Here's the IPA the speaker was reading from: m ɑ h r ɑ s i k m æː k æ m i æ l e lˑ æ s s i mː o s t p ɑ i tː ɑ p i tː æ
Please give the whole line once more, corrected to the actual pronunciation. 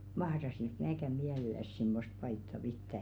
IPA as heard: m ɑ h r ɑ s i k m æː k æ m i æ l e lˑ æ s s i mː o s t p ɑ i tː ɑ p i tː æ